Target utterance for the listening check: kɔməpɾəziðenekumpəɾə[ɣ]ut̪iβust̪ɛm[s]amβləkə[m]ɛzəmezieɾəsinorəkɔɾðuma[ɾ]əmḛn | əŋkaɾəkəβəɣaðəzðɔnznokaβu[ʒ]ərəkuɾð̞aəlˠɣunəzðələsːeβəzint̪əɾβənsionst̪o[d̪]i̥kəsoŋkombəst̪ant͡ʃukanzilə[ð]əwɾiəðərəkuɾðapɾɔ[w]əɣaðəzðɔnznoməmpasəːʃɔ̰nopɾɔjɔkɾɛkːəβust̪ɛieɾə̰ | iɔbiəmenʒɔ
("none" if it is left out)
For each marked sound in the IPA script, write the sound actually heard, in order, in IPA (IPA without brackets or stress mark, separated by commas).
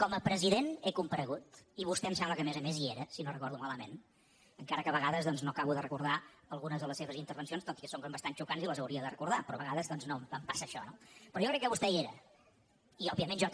ɣ, s, m, l, ð, t̪, z, β